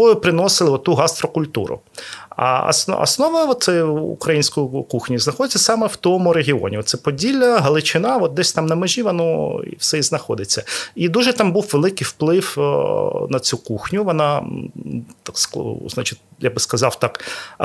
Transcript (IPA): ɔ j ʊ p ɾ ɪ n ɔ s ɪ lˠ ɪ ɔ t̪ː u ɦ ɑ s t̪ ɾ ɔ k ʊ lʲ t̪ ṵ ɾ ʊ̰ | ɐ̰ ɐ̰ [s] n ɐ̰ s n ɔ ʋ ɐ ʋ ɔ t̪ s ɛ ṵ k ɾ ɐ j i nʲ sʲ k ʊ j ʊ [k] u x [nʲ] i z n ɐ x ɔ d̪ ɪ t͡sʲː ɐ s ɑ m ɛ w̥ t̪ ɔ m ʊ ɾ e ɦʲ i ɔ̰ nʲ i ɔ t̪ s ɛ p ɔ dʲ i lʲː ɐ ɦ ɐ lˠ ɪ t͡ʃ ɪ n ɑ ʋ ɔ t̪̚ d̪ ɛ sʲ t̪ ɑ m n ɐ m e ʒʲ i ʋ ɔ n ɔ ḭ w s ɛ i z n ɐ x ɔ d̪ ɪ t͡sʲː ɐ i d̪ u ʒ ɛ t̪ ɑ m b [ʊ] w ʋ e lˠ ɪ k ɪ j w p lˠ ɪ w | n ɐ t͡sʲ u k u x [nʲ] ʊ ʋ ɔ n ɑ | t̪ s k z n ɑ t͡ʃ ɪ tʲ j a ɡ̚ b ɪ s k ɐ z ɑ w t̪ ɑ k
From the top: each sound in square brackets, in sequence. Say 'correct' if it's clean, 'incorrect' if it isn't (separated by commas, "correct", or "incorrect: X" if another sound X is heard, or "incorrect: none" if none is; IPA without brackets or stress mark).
correct, correct, correct, incorrect: u, correct